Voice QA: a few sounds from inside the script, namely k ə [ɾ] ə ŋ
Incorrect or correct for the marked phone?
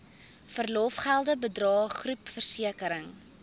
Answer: correct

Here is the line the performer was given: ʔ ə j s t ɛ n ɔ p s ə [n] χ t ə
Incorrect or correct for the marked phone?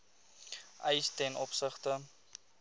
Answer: incorrect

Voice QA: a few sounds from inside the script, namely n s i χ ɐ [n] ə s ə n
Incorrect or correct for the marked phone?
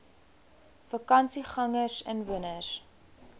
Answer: incorrect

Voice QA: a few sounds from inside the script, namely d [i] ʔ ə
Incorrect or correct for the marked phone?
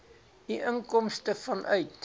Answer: correct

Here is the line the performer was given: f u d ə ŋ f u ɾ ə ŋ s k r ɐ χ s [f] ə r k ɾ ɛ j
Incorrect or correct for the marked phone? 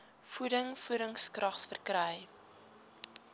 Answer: correct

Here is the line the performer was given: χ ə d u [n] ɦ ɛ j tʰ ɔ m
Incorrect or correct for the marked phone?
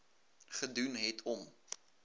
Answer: correct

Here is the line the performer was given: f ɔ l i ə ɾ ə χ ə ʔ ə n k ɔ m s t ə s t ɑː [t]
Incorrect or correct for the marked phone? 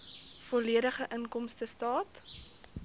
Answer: correct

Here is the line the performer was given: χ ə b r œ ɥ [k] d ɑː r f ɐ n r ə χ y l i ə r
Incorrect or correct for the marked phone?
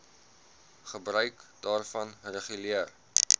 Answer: correct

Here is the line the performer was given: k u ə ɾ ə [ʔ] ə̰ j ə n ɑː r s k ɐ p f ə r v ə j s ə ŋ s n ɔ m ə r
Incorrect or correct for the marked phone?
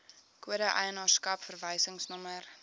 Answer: correct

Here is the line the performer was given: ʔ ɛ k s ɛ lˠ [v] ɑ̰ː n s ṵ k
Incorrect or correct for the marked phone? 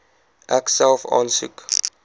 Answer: incorrect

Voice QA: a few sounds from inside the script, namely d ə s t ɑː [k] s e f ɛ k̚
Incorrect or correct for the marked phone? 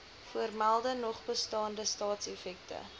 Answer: incorrect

